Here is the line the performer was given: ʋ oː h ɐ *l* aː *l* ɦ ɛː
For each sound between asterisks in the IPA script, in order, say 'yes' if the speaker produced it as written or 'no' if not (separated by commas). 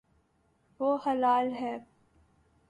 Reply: yes, yes